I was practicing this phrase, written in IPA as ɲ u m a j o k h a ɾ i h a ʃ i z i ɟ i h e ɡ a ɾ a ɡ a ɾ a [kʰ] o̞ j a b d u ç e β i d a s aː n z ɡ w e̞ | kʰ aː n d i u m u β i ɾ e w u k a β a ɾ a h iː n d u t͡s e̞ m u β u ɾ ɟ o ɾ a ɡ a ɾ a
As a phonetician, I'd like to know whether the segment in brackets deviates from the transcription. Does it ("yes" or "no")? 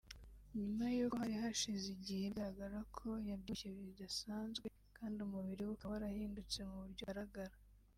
no